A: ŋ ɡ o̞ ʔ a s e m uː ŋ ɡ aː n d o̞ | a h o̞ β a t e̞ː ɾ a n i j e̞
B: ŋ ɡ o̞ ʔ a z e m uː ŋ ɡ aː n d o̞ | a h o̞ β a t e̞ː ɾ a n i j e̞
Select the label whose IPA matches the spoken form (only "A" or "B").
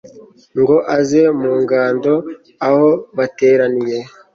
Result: B